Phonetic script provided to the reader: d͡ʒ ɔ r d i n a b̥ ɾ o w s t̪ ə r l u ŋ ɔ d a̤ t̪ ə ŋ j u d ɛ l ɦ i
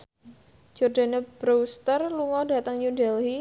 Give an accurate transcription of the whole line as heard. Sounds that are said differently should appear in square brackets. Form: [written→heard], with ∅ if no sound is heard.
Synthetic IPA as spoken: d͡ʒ ɔ r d [i→a] n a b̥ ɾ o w s t̪ ə r l u ŋ ɔ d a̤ t̪ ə ŋ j u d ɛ l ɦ i